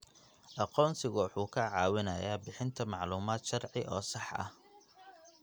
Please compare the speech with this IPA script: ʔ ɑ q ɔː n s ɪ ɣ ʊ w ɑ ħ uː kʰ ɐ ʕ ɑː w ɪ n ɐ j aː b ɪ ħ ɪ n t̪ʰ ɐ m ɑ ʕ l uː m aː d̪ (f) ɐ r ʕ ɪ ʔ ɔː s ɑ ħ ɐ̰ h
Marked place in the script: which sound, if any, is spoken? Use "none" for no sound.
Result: ʃ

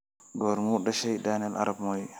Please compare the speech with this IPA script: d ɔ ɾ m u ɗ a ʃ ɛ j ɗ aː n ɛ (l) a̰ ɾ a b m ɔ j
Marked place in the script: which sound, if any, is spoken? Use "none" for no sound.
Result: l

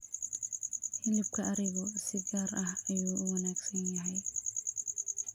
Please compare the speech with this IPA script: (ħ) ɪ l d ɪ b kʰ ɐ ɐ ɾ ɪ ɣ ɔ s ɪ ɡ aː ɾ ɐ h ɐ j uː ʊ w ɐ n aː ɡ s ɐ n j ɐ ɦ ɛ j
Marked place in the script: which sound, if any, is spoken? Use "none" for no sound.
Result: h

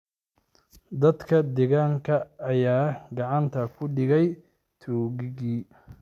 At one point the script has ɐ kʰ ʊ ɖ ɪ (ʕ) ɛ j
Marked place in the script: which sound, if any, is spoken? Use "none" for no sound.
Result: ɣ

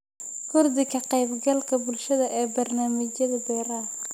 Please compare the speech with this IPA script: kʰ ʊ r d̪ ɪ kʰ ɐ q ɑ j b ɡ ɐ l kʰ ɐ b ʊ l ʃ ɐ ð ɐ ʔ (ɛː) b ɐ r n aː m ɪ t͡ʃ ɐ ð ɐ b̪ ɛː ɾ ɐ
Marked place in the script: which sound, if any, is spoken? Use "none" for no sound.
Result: ɛː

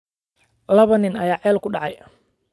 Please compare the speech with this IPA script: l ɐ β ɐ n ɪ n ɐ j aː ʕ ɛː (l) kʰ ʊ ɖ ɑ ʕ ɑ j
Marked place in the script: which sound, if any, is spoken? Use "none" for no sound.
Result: l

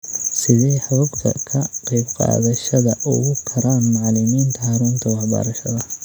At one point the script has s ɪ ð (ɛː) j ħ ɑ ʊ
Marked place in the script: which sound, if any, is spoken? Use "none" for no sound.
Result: ɛ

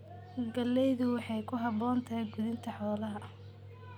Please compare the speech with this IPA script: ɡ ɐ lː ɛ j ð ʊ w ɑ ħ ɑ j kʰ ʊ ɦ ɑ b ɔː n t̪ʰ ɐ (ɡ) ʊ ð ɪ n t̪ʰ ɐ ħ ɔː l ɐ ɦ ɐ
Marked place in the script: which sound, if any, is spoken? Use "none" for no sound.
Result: ɡ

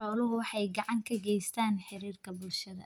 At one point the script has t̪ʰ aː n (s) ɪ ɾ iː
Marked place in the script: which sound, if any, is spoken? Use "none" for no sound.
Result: ħ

